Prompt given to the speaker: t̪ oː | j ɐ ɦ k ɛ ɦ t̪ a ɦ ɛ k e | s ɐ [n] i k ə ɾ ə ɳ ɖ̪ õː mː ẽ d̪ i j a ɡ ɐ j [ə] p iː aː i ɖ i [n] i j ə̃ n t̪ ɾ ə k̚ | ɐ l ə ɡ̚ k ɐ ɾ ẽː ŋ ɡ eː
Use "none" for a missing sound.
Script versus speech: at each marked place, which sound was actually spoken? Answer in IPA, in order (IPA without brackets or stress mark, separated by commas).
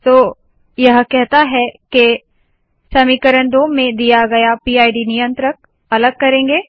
m, a, n